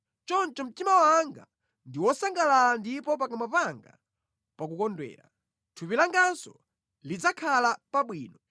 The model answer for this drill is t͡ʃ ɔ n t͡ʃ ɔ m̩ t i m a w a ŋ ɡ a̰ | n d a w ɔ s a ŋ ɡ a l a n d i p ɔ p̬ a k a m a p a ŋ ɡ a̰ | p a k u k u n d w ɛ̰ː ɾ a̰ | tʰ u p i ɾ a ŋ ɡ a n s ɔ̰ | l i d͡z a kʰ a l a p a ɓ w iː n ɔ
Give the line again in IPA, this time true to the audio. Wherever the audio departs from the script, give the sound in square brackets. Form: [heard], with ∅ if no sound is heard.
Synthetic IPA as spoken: t͡ʃ ɔ n t͡ʃ ɔ m̩ t i m a w a ŋ ɡ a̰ | n d [i] w ɔ s a ŋ ɡ a l a n d i p ɔ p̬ a k a m a p a ŋ ɡ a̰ | p a k u k [ɔ] n d w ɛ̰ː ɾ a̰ | tʰ u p i [l] a ŋ ɡ a n s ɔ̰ | l i d͡z a kʰ a l a p a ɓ w iː n ɔ

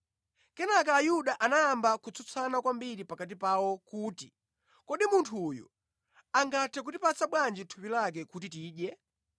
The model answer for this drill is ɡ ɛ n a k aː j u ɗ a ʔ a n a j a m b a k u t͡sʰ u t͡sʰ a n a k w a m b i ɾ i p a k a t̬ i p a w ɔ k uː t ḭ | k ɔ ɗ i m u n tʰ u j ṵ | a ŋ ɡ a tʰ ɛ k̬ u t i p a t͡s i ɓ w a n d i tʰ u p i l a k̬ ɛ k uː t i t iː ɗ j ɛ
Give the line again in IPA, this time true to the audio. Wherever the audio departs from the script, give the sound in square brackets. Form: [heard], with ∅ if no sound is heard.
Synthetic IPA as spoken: [k] ɛ n a k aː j u ɗ a ʔ a n a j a m b a k u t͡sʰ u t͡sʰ a n a k w a m b i ɾ i p a k a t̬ i p a w ɔ k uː t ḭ | k ɔ ɗ i m u n tʰ u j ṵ | a ŋ ɡ a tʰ ɛ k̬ u t i p a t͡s [a] ɓ w a n [d͡ʒ] i tʰ u p i l a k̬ ɛ k [u] t i t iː ɗ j ɛ

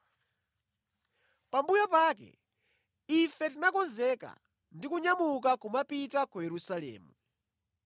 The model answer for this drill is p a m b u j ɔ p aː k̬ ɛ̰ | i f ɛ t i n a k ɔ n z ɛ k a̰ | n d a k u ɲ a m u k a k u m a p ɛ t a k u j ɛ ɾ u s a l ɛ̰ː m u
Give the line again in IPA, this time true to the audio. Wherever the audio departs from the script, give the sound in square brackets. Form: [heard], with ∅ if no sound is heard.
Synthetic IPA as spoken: p a m b u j ɔ p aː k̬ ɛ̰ | i f ɛ t i n a k ɔ n z ɛ k a̰ | n d [i] k u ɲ a m u k a k u m a p [i] t a k u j ɛ ɾ u s a l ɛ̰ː m u

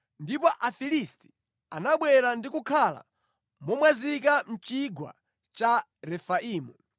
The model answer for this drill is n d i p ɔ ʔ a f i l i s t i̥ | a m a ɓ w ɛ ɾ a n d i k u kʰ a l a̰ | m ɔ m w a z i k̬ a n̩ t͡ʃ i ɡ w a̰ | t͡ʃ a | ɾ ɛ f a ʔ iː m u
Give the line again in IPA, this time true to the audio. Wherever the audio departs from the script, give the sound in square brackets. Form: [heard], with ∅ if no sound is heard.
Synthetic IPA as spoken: n d i p ɔ ʔ a f i l i s t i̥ | a [n] a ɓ w ɛ ɾ a n d i k u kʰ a l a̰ | m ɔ m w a z i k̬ a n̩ t͡ʃ i ɡ w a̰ | t͡ʃ a | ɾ ɛ f a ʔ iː m u

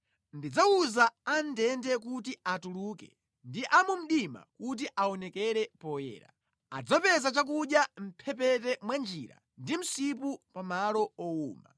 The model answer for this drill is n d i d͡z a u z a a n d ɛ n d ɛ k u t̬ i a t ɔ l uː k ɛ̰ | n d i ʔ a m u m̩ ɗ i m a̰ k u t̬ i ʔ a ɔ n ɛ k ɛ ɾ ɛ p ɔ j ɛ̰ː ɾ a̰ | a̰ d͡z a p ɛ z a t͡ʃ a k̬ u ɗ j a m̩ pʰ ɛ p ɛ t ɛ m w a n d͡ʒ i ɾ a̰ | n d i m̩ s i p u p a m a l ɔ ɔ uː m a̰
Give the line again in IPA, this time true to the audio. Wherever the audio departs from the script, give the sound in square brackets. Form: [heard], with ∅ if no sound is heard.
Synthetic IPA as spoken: n d i d͡z a u z a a n d ɛ n d ɛ k u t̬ i a t [u] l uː k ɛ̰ | n d i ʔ a m u m̩ ɗ i m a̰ k u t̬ i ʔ a ɔ n ɛ k ɛ ɾ ɛ p ɔ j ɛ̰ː ɾ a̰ | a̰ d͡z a p ɛ z a t͡ʃ a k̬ u ɗ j a m̩ pʰ ɛ p ɛ t ɛ m w a n d͡ʒ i ɾ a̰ | n d i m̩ s i p u p a m a l ɔ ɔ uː m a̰

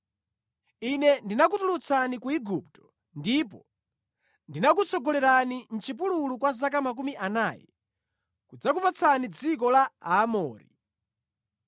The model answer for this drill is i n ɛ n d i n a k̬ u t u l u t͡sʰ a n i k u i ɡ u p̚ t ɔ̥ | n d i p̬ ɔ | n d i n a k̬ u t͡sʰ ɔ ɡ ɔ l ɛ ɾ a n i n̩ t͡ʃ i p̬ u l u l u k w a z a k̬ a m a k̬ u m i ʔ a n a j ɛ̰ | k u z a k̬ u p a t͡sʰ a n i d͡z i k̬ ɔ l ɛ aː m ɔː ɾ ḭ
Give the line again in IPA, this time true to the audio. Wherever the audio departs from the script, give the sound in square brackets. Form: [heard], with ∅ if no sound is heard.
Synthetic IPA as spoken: i n ɛ n d i n a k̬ u t u l u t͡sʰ a n i k u i ɡ u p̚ t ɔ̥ | n d i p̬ ɔ | n d i n a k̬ u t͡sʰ ɔ ɡ ɔ l ɛ ɾ a n i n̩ t͡ʃ i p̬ u l u l u k w a z a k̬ a m a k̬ u m i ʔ a n a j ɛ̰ | k u [d͡z] a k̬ u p a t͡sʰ a n i d͡z i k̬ ɔ l [a] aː m ɔː ɾ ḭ

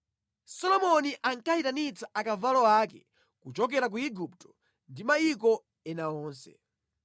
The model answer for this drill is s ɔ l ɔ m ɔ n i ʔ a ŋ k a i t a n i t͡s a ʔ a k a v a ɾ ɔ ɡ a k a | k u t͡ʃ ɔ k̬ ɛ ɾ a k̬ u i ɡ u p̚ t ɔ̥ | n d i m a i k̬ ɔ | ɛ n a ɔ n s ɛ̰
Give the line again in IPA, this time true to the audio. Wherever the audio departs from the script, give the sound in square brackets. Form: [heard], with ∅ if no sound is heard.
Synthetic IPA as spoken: s ɔ l ɔ m ɔ n i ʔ a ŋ k a i t a n i t͡s a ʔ a k a v a [l] ɔ [∅] a k [ɛ] | k u t͡ʃ ɔ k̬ ɛ ɾ a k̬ u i ɡ u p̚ t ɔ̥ | n d i m a i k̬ ɔ | ɛ n a [ɔː] n s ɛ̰

